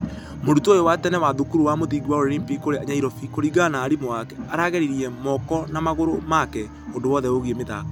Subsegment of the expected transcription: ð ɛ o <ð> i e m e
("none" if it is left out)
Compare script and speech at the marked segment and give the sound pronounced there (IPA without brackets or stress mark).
ɣ